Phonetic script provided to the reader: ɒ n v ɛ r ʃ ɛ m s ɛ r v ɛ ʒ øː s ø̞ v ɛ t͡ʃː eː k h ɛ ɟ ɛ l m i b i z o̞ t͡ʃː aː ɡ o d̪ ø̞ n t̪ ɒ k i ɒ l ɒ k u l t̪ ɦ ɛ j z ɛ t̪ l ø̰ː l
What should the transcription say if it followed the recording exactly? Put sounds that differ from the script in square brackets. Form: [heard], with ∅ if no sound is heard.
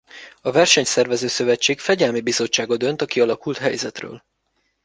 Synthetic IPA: ɒ [∅] v ɛ r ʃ ɛ [ɲ] s ɛ r v ɛ [z] øː s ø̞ v ɛ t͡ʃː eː k [f] ɛ ɟ ɛ l m i b i z o̞ t͡ʃː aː ɡ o d̪ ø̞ n t̪ ɒ k i ɒ l ɒ k u l t̪ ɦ ɛ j z ɛ t̪ [r] ø̰ː l